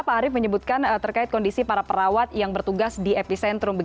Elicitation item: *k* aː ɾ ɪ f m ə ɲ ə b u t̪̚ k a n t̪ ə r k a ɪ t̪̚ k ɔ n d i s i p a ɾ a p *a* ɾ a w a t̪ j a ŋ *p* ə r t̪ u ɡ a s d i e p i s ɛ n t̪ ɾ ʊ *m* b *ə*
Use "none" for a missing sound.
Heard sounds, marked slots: p, ə, b, m, ə

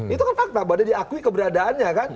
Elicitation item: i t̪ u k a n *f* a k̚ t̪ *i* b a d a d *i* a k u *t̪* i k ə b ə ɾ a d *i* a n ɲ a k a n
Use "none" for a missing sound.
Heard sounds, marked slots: f, a, i, none, a

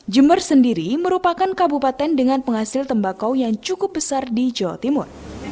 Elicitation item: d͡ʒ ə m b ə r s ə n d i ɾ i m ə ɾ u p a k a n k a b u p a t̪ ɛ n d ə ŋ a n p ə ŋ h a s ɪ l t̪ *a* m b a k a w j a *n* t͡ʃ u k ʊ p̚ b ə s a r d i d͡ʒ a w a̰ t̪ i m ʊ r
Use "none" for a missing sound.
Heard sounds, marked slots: ə, ŋ

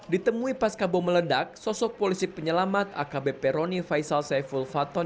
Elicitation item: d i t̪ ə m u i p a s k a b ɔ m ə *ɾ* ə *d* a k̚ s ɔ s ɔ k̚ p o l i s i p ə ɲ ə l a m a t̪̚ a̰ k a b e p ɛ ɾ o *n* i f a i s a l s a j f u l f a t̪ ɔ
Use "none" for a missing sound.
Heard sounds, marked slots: l, d, n

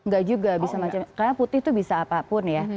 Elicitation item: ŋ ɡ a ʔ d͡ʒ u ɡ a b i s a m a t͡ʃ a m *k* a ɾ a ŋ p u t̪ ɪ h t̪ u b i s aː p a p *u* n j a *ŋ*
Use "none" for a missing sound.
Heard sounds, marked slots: k, ʊ, none

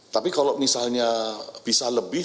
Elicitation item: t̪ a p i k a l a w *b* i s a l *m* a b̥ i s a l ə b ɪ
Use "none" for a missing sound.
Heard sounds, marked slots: m, ɲ

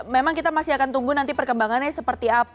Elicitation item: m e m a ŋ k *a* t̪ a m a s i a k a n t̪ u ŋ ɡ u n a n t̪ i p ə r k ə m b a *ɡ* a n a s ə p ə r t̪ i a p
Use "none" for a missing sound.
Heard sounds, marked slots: i, ŋ

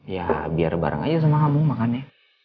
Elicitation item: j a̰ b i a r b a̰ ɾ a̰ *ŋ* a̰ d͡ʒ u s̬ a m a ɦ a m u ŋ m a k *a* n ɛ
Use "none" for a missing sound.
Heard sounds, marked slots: ŋ, a

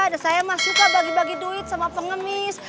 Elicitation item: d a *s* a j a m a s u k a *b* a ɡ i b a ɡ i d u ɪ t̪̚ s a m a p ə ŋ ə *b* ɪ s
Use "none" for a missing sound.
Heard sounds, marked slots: s, b, m

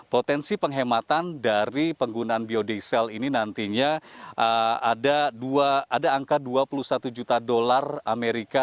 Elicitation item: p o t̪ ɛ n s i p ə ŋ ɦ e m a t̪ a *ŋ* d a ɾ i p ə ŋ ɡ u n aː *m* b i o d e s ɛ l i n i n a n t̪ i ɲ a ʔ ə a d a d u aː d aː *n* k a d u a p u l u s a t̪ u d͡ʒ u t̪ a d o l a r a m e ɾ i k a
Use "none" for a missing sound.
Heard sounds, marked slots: n, n, ŋ

